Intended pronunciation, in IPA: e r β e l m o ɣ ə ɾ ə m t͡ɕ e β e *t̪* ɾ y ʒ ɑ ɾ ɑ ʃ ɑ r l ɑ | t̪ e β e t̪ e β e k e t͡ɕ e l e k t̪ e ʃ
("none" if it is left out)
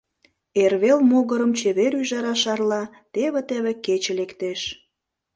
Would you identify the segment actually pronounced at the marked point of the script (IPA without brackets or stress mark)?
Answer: none